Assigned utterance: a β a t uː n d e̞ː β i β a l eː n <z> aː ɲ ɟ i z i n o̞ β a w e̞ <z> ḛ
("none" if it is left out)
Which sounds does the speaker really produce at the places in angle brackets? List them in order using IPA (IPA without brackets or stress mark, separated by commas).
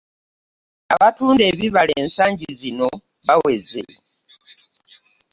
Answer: s, z